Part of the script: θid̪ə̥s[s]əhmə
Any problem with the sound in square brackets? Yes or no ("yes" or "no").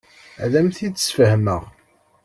yes